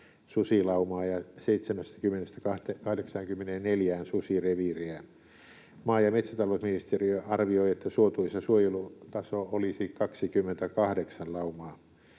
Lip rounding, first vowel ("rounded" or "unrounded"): rounded